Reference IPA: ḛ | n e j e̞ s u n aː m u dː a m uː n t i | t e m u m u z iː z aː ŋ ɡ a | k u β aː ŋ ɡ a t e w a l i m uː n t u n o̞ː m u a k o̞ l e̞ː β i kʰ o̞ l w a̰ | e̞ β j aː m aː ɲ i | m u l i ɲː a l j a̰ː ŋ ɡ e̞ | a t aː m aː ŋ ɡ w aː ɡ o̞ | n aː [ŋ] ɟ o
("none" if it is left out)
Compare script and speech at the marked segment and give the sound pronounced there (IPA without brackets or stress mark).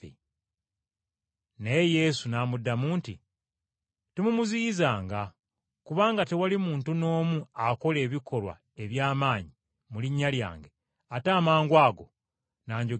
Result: ɲ